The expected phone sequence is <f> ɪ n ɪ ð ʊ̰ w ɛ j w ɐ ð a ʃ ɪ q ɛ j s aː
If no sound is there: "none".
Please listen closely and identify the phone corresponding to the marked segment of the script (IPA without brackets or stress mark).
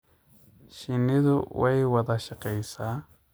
ʃ